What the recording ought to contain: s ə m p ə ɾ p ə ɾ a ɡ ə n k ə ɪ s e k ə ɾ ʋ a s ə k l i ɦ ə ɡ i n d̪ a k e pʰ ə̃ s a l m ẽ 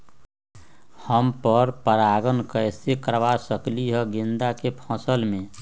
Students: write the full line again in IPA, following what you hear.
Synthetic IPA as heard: h ə m p ə ɾ p ə ɾ a ɡ ə n k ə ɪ s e k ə ɾ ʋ a s ə k l i ɦ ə ɡ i n d̪ a k e pʰ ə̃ s ə l m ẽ